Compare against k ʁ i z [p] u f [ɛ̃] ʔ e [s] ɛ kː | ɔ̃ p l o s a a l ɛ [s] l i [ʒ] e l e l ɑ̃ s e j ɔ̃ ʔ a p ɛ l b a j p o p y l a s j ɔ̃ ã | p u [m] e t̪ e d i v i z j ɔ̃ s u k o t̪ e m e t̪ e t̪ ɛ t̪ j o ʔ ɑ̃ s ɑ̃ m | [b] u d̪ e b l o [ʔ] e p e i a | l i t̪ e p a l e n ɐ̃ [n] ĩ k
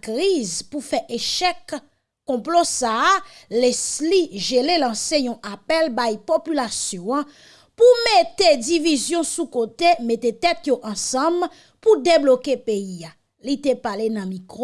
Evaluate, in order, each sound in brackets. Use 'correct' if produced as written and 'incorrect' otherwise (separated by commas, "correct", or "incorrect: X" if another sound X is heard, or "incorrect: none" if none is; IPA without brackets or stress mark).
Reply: correct, incorrect: ɛ, incorrect: ʃ, correct, correct, correct, incorrect: p, incorrect: k, incorrect: m